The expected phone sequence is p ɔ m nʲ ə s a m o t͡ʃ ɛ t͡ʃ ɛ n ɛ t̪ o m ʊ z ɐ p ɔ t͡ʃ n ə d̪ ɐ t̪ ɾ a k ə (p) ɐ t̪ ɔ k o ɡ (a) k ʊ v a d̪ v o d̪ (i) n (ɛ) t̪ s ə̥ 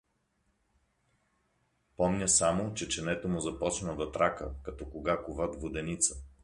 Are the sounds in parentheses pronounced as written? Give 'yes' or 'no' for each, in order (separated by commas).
no, yes, no, no